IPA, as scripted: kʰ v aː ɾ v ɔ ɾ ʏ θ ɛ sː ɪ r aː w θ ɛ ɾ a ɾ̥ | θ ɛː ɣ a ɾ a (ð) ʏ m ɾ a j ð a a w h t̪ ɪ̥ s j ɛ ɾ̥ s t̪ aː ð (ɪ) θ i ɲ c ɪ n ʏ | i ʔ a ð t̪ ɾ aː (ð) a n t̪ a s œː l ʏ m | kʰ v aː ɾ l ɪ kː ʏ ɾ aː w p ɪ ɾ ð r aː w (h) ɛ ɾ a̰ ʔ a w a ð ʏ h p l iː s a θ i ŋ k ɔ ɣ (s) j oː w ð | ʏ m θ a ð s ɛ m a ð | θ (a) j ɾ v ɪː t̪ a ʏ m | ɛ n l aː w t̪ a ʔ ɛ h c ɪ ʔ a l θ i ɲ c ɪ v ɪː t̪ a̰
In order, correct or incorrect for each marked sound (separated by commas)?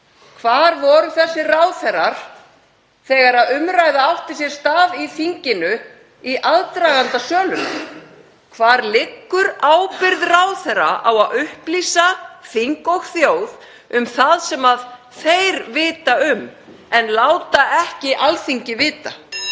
correct, incorrect, incorrect, incorrect, incorrect, incorrect